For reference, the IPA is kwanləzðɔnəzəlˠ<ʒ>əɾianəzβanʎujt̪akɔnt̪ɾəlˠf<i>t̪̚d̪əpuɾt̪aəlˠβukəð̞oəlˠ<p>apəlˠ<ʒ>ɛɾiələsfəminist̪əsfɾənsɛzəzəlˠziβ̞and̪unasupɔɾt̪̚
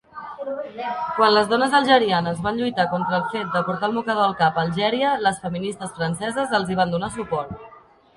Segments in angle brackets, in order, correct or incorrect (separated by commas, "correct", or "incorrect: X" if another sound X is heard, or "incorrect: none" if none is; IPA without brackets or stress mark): correct, incorrect: e, incorrect: k, correct